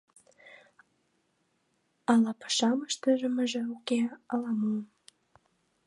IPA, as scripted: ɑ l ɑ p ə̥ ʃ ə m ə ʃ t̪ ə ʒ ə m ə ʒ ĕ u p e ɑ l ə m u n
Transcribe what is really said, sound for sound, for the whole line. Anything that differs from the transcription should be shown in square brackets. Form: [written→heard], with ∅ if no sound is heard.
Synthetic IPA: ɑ l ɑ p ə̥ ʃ [ə→ɑ] m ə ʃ t̪ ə ʒ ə m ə ʒ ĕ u [p→k] e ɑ l [ə→ɑ] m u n